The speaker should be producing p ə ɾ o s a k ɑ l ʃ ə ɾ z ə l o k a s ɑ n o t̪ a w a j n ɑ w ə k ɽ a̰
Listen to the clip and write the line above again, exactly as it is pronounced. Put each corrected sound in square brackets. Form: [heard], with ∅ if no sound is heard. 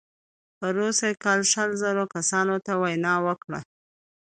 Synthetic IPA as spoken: p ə ɾ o s a k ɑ l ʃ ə [l] z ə [ɾ] o k a s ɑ n o t̪ a w a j n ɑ w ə k ɽ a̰